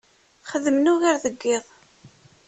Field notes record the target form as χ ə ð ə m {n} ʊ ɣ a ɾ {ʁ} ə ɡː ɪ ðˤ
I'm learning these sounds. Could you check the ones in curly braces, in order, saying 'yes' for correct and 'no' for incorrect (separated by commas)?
yes, no